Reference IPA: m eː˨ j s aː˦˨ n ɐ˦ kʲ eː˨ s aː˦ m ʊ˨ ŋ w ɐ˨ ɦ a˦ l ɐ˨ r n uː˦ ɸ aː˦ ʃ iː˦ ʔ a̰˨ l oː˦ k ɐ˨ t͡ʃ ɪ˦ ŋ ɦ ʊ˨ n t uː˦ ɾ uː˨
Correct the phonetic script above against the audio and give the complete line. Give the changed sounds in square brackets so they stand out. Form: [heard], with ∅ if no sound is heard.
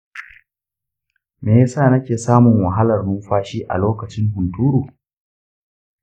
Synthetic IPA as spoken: m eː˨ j s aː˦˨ n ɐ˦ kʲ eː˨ s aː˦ m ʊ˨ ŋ w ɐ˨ ɦ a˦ l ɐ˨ r n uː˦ ɸ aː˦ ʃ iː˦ ʔ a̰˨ l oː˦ k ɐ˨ t͡ʃ ɪ˦ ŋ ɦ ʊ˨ n t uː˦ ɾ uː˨